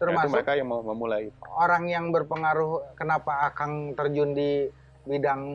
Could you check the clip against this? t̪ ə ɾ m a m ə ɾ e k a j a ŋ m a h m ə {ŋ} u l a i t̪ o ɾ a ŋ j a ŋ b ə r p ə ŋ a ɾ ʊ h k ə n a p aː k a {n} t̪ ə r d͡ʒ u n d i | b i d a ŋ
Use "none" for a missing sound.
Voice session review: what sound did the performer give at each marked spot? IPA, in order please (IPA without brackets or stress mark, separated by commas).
m, ŋ